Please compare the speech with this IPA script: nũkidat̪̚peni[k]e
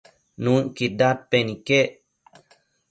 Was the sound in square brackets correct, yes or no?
yes